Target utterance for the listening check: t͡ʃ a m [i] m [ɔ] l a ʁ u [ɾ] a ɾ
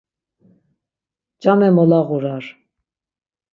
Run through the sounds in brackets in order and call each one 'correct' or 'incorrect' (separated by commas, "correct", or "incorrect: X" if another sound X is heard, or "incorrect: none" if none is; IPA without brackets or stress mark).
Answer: incorrect: ɛ, correct, correct